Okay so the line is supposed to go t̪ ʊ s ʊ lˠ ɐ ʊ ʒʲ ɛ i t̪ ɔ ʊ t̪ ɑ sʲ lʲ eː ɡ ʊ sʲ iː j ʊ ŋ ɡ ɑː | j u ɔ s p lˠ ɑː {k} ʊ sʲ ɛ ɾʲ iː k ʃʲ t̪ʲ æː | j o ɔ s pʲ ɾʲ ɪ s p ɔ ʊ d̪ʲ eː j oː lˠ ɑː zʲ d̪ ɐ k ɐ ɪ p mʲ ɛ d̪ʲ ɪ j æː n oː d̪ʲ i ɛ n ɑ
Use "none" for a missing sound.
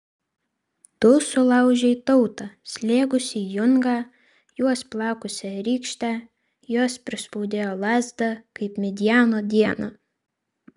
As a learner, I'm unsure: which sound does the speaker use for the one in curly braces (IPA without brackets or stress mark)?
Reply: k